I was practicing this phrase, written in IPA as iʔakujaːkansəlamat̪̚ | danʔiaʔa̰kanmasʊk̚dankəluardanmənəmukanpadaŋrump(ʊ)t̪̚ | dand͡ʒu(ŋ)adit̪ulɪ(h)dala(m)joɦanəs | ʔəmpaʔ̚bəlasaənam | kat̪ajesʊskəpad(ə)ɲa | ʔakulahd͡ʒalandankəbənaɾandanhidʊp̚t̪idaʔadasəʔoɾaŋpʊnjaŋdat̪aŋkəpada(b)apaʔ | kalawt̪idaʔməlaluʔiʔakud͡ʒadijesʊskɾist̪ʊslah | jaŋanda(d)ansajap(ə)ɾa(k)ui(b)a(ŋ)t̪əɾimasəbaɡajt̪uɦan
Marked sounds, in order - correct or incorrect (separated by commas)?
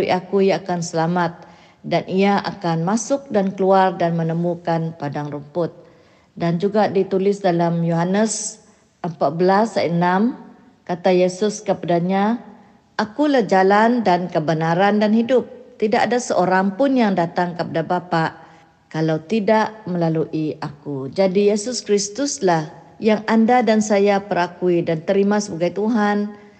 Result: correct, incorrect, incorrect, correct, incorrect, correct, correct, correct, correct, incorrect, incorrect